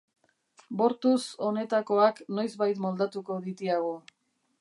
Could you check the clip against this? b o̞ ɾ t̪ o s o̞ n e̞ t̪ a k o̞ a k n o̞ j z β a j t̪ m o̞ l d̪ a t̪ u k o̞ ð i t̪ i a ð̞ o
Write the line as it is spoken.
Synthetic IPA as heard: b o̞ ɾ t̪ u s o̞ n e̞ t̪ a k o̞ a k n o̞ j z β a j t̪ m o̞ l d̪ a t̪ u k o̞ ð i t̪ i a ɣ̞ o